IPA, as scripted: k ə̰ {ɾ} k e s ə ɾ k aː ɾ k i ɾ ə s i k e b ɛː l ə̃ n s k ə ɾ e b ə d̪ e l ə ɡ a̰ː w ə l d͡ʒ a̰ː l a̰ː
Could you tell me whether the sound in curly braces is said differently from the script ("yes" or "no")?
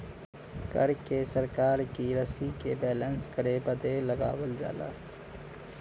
no